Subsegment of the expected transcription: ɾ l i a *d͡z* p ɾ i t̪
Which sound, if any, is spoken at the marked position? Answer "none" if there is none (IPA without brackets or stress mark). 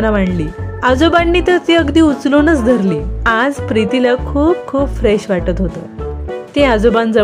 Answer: d͡z